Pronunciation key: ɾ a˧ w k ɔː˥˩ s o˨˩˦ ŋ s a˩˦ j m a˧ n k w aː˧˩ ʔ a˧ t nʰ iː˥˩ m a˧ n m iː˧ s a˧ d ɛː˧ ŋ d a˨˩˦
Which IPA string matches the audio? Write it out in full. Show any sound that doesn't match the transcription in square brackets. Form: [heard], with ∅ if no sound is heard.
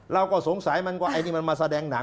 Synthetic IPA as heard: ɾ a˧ w k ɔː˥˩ s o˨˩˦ ŋ s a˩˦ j m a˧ n k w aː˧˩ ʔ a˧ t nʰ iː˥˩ m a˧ n m [aː˧] s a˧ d ɛː˧ ŋ [n] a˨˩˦